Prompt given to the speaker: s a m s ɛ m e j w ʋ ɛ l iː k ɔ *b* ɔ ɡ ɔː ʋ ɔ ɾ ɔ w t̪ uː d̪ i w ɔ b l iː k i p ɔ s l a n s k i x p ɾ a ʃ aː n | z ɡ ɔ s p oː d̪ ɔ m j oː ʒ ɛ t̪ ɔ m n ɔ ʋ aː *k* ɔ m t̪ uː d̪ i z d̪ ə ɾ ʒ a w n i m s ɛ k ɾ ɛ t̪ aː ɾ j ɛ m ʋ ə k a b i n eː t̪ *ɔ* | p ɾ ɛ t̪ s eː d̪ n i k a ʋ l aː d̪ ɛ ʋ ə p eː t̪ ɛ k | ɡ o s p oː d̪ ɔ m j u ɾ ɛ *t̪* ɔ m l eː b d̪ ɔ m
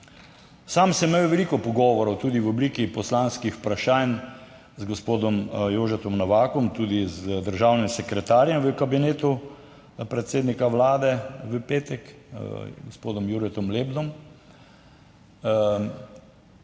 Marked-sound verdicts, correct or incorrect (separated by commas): incorrect, correct, incorrect, correct